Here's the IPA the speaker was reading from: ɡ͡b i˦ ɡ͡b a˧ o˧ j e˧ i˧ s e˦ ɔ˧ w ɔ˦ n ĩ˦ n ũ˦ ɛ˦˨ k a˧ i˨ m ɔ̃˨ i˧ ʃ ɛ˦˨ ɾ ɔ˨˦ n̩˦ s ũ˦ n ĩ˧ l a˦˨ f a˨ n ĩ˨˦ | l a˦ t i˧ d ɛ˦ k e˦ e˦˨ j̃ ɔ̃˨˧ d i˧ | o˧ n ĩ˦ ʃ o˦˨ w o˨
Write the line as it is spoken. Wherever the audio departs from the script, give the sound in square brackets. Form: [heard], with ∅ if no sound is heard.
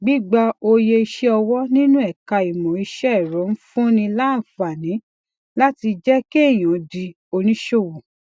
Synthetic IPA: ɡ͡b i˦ ɡ͡b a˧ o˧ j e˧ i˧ [ʃ] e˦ ɔ˧ w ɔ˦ n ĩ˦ n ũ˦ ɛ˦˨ k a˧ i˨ m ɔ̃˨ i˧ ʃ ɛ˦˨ ɾ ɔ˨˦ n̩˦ [f] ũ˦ n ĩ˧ l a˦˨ f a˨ n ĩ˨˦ | l a˦ t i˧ [d͡ʒ] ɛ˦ k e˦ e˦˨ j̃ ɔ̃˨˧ d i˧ | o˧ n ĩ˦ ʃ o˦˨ w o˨